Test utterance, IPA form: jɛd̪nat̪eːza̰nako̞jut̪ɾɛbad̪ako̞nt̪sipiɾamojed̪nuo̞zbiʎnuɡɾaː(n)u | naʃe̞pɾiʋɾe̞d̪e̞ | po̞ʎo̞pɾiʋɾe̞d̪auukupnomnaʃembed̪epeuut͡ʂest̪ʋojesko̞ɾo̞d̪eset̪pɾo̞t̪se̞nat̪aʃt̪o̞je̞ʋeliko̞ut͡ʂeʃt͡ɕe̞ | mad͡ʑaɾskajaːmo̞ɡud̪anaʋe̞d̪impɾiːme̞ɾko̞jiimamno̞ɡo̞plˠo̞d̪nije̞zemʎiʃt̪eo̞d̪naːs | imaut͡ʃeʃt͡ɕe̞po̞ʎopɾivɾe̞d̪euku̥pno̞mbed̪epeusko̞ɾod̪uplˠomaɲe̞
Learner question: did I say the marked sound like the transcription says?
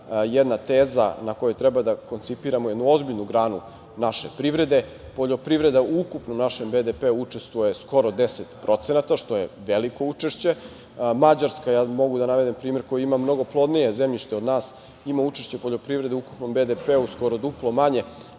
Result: yes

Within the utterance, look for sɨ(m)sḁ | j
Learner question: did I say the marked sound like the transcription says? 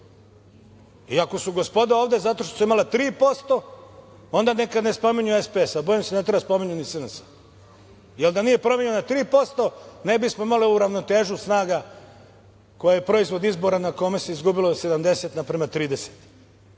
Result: no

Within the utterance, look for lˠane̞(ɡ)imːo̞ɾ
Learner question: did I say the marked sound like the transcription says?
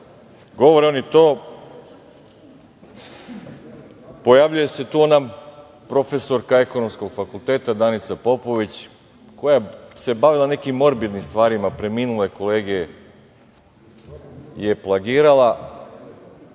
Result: no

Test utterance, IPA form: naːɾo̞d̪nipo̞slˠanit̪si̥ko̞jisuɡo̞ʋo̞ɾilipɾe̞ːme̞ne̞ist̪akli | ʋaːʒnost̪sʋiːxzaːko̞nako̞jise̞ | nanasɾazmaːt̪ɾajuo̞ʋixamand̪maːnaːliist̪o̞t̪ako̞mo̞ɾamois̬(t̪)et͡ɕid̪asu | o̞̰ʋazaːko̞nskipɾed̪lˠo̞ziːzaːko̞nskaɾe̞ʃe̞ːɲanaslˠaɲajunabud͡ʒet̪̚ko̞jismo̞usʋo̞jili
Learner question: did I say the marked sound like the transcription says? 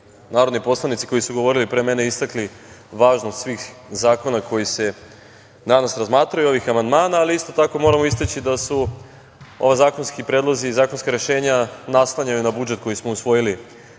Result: yes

